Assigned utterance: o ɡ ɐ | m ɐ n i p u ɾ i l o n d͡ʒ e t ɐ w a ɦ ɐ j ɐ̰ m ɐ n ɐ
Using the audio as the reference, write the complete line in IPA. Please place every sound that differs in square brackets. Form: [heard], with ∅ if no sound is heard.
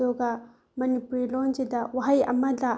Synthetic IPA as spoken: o ɡ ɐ | m ɐ n i p u ɾ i l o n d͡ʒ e [d] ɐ w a ɦ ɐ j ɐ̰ m ɐ [d] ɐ

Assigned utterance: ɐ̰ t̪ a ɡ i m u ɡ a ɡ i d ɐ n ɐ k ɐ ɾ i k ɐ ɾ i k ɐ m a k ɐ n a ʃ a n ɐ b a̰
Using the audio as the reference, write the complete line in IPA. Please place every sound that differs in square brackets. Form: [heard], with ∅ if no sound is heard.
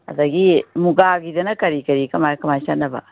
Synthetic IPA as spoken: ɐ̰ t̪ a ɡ i m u ɡ a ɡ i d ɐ n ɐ k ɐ ɾ i k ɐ ɾ i k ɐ m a k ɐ [m] a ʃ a n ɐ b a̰

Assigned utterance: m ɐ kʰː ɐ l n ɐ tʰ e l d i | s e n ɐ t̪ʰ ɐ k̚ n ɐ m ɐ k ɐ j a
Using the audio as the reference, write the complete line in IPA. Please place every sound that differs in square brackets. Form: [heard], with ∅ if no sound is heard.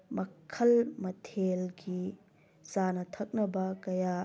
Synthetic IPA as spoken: m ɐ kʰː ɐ l [m] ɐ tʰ e l [ɡ] i | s [a] n ɐ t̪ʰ ɐ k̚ n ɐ [b] ɐ k ɐ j a

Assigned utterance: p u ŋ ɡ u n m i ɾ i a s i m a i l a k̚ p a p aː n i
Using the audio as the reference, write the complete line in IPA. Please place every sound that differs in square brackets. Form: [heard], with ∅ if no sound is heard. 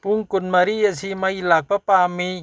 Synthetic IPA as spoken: p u ŋ [k] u n m [a] ɾ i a s i m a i l a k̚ p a p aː [m] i

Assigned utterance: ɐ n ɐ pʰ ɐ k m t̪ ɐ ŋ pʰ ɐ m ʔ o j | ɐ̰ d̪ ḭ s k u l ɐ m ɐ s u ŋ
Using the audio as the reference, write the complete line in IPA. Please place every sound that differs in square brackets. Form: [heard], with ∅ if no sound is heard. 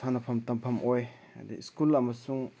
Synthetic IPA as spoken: [a] n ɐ pʰ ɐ [∅] m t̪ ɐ [m] pʰ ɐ m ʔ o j | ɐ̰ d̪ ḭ s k u l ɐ m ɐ s u ŋ

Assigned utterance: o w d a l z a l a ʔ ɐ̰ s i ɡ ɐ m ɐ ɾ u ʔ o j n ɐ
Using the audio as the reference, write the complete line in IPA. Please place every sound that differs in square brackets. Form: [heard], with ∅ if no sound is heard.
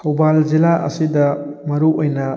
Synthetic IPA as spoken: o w [b] a l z [i] l a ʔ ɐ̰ s i [d] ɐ m ɐ ɾ u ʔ o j n ɐ

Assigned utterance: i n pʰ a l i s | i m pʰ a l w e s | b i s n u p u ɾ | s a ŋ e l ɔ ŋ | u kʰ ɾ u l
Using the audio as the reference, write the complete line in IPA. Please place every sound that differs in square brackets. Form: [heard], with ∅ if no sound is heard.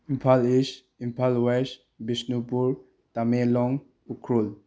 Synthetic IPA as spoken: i [m] pʰ a l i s | i m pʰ a l w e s | b i s n u p u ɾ | [t] a [m] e l ɔ ŋ | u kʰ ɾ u l

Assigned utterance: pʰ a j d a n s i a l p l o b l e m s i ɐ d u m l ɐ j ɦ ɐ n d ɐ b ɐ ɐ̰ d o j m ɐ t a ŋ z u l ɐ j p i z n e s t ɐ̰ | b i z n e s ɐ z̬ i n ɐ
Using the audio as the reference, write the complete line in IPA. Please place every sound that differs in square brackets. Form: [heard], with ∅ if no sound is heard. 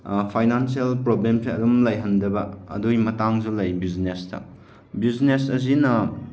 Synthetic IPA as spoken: pʰ a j [n] a n s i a l p [ɾ] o b l e m s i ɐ d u m l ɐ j ɦ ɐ n d ɐ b ɐ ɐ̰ d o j m ɐ t a ŋ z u l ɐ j [b] i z n e s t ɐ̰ | b i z n e s ɐ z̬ i n ɐ

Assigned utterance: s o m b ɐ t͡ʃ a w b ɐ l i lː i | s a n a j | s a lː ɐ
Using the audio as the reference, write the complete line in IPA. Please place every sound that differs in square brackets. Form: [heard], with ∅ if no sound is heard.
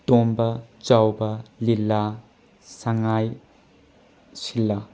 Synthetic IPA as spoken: [t] o m b ɐ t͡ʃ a w b ɐ l i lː [a] | s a [ŋ] a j | s [i] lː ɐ

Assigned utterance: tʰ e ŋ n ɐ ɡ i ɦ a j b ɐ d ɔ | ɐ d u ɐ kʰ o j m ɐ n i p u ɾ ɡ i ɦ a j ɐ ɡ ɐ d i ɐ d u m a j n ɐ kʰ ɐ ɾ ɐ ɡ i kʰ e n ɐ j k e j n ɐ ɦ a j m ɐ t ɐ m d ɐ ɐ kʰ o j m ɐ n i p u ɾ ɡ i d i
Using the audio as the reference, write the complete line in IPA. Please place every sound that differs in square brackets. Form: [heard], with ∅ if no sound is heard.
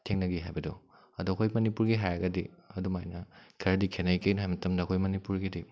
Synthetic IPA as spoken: tʰ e ŋ n ɐ ɡ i ɦ a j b ɐ d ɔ | ɐ d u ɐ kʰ o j m ɐ n i p u ɾ ɡ i ɦ a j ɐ ɡ ɐ d i ɐ d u m a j n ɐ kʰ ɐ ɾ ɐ [d] i kʰ e n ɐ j k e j n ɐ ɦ a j m ɐ t ɐ m d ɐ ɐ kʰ o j m ɐ n i p u ɾ ɡ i d i

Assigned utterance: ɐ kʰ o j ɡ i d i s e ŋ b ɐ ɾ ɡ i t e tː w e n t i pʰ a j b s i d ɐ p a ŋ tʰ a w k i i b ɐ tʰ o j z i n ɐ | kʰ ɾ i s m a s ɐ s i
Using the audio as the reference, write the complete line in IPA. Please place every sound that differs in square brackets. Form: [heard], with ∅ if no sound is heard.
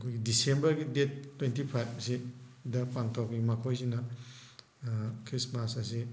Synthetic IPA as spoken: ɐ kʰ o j ɡ i d i s e [m] b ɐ ɾ ɡ i [d] e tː w e n t i pʰ a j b s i d ɐ p a ŋ tʰ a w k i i [m] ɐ [kʰ] o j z i n ɐ | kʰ ɾ i s m a s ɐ s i

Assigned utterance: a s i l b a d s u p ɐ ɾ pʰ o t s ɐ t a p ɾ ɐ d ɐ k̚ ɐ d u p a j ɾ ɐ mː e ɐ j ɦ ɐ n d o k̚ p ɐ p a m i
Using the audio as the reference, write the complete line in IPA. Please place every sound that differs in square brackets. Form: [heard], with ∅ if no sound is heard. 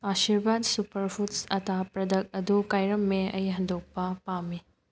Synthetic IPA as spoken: a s i [ɾ] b a d s u p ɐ ɾ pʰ [u] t s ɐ t a p ɾ ɐ d ɐ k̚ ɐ d u [k] a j ɾ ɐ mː e ɐ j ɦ ɐ n d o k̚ p ɐ p a m i

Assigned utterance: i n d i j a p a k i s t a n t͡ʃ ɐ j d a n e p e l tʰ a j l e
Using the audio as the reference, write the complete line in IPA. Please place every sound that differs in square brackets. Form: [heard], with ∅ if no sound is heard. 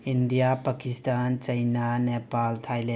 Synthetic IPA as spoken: i n d i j a p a k i s t a n t͡ʃ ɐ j [n] a n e p [a] l tʰ a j l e

